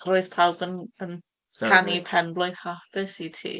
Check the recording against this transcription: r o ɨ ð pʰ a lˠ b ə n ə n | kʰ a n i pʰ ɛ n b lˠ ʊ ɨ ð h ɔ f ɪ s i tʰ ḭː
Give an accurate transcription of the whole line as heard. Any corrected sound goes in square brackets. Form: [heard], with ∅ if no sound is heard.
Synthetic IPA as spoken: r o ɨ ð pʰ a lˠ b ə n ə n | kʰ a n i pʰ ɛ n b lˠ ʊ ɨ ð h ɔ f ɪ s i tʰ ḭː